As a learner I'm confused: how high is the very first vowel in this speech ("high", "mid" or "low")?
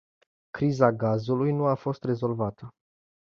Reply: high